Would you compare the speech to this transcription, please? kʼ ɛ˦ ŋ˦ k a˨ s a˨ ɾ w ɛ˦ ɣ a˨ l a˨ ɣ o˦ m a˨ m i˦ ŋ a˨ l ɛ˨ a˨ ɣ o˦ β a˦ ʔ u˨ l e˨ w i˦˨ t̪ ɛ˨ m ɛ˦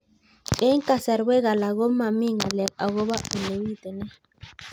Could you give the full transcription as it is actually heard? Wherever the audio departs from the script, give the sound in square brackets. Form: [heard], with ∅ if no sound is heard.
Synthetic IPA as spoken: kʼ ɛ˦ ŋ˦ k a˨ s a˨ ɾ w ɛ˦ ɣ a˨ l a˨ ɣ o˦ m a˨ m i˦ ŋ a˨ l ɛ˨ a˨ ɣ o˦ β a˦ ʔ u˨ l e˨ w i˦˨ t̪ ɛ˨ [n] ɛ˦